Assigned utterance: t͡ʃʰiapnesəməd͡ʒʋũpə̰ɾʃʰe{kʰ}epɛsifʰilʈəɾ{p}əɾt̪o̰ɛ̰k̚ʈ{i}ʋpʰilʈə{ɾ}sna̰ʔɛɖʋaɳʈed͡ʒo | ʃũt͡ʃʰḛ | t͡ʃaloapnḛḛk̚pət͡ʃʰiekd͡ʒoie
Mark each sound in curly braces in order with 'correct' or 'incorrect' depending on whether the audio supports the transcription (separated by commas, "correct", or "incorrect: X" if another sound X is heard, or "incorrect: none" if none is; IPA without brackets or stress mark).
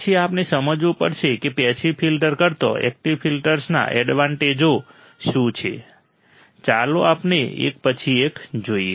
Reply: incorrect: k, incorrect: k, correct, correct